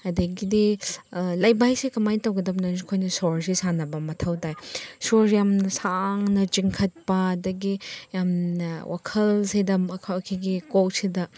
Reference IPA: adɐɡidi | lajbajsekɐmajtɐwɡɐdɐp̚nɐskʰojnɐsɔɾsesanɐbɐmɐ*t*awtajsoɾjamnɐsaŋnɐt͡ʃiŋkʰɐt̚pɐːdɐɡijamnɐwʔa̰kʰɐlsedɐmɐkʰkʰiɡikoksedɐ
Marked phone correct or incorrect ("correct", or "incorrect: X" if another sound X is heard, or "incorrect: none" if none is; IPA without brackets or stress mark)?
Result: incorrect: tʰ